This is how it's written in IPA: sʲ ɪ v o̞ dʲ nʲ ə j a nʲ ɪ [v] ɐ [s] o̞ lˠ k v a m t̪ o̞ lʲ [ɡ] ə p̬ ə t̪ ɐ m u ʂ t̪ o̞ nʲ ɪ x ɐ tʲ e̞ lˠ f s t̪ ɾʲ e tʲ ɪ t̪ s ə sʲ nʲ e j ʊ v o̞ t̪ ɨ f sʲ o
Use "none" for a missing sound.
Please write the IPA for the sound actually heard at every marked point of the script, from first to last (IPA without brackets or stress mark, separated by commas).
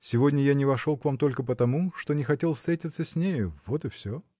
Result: v, ʂ, k